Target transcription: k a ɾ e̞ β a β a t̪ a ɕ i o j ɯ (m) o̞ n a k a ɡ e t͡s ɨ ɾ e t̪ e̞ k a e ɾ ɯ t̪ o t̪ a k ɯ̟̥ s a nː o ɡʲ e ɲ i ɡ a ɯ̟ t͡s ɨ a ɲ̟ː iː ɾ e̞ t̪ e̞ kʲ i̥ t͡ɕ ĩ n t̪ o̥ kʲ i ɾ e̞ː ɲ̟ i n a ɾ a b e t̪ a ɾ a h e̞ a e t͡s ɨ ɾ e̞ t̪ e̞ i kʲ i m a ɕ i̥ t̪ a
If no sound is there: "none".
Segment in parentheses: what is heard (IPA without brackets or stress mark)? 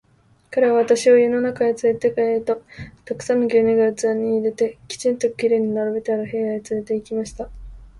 n